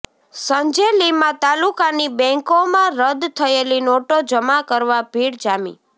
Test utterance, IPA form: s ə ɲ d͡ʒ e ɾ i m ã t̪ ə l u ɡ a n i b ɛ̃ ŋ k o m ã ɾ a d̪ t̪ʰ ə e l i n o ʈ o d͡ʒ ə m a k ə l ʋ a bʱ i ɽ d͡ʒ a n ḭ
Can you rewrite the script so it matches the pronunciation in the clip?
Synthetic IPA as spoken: s ə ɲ d͡ʒ e l i m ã t̪ a l u k a n i b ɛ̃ ŋ k o m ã ɾ ə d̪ t̪ʰ ə e l i n o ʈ o d͡ʒ ə m a k ə ɾ ʋ a bʱ i ɽ d͡ʒ a m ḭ